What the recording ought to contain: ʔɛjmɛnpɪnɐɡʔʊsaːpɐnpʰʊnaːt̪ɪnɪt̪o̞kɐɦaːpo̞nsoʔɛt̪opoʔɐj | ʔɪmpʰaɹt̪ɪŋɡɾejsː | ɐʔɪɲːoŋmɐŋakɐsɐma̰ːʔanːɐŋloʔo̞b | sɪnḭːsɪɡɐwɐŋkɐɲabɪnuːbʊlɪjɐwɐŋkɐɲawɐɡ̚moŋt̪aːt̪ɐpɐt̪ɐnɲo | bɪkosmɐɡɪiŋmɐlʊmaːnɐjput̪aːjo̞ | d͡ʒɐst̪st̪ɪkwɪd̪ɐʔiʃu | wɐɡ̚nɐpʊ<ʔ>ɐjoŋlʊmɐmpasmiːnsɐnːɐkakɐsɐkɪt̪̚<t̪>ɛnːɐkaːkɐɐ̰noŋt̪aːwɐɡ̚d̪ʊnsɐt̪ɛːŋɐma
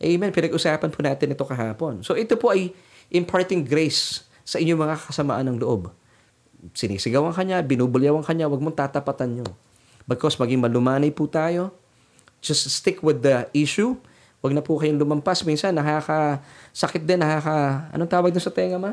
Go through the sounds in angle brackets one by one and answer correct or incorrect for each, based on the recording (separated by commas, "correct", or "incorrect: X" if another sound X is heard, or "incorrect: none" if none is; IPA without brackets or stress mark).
incorrect: k, incorrect: d̪